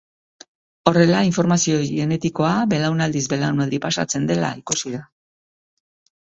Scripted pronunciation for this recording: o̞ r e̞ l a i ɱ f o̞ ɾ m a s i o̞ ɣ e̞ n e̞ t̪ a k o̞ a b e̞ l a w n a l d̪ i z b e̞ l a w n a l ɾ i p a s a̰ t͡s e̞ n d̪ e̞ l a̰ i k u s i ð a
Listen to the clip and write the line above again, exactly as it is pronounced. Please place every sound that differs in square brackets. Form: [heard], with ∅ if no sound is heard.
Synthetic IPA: o̞ r e̞ l a i ɱ f o̞ ɾ m a s i o̞ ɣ e̞ n e̞ t̪ [i] k o̞ a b e̞ l a w n a l d̪ i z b e̞ l a w n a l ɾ i p a s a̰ t͡s e̞ n d̪ e̞ l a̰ i k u s i ð a